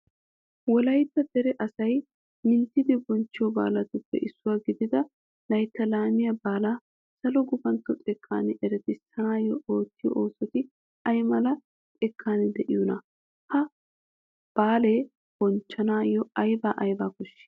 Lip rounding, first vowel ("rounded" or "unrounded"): rounded